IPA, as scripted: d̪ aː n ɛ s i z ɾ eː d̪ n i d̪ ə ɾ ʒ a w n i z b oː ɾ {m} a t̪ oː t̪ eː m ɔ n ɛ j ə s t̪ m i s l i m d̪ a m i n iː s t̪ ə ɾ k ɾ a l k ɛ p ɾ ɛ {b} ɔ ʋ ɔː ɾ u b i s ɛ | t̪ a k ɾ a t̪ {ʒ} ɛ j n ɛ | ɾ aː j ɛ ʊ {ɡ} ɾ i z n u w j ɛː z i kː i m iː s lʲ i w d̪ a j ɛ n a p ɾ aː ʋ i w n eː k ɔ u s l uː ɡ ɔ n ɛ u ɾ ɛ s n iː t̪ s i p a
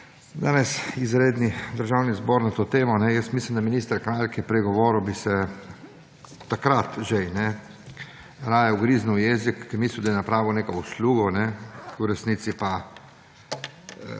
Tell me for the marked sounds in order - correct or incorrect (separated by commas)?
incorrect, incorrect, correct, correct